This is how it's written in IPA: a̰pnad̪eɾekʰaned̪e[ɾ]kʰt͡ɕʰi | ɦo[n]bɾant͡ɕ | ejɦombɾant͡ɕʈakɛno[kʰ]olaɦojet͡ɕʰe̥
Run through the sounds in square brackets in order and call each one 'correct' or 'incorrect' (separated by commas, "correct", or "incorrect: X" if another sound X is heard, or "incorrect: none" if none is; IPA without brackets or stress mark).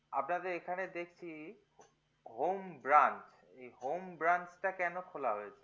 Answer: incorrect: none, incorrect: m, correct